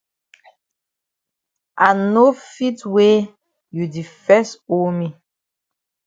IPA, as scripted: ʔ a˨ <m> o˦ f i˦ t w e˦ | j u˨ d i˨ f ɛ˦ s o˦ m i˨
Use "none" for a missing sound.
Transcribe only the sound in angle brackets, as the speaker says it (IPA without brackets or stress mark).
n